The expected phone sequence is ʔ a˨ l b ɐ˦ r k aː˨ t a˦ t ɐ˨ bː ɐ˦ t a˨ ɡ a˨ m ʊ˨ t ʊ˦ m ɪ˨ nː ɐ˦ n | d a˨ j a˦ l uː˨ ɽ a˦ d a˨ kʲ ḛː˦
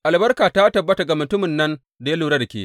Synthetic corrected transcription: ʔ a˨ l b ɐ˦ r k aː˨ t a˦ t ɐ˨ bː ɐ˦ t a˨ ɡ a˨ m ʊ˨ t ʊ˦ m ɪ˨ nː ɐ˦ n | d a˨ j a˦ l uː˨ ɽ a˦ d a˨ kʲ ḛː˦